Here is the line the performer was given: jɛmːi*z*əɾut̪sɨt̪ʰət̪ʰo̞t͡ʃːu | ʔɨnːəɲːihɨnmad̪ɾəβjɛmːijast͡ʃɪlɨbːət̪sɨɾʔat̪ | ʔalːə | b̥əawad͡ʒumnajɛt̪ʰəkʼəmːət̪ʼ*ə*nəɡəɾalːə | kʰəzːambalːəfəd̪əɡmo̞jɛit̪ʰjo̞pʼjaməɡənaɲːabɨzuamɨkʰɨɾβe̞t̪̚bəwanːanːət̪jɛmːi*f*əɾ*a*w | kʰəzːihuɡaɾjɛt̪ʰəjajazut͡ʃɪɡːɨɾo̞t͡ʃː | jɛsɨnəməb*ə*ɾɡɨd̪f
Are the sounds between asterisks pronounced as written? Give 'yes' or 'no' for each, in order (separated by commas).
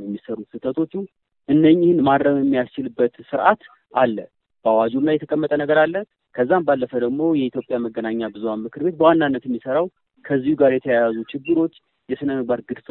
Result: no, yes, no, yes, no